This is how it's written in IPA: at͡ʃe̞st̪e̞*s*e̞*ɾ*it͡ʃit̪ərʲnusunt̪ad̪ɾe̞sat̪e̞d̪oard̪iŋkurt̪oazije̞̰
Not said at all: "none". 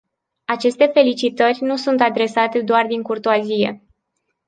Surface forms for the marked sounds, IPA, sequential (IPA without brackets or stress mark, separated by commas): f, l